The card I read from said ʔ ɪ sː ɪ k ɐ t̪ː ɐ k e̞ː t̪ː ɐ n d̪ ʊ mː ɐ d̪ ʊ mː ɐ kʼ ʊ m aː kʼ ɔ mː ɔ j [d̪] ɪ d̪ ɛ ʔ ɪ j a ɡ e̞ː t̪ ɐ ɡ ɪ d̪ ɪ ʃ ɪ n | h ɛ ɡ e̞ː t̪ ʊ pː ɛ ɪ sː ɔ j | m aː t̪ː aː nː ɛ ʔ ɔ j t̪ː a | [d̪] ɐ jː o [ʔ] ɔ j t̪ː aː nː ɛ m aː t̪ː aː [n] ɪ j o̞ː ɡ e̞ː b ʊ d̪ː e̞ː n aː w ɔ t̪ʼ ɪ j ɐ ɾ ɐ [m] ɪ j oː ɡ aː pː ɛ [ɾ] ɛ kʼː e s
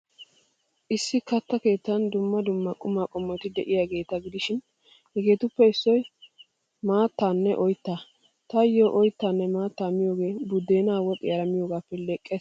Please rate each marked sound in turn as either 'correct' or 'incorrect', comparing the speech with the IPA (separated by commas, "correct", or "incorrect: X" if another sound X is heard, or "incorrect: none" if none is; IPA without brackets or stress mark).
incorrect: t̪, incorrect: t̪, correct, incorrect: m, correct, incorrect: l